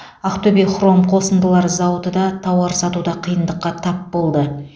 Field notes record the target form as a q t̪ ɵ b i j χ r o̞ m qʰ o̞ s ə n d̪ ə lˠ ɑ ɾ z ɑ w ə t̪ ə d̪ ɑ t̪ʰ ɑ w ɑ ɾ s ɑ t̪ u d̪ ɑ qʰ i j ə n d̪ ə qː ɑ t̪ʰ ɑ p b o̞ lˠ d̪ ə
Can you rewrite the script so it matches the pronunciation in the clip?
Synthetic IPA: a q t̪ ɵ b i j χ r o̞ m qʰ o̞ s ə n d̪ ə lˠ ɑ ɾ z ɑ w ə t̪ ə d̪ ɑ t̪ʰ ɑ w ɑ ɾ s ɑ t̪ u d̪ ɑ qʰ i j ə n d̪ ə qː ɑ t̪ʰ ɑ p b o̞ lˠ d̪ ə